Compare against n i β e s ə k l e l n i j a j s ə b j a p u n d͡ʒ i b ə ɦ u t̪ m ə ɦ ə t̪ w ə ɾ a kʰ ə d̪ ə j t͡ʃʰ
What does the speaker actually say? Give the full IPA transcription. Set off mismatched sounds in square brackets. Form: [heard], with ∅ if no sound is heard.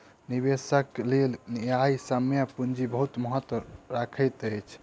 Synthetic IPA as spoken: n i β e s ə k l e l n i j a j s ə [m] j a p u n d͡ʒ i b ə ɦ u t̪ m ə ɦ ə t̪ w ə ɾ a kʰ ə [t̪] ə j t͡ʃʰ